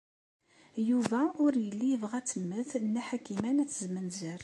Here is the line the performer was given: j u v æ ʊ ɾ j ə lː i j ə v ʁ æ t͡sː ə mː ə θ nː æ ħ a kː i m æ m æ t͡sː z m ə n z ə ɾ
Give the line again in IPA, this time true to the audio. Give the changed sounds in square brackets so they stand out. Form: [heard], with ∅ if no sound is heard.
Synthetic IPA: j u v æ ʊ ɾ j ə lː i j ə v ʁ æ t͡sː ə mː ə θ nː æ ħ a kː i m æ [n] æ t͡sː z m ə n z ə ɾ